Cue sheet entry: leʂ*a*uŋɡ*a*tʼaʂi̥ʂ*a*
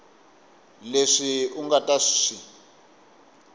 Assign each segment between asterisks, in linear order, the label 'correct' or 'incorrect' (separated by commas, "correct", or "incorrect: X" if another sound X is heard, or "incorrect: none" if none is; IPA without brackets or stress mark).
incorrect: i, correct, incorrect: i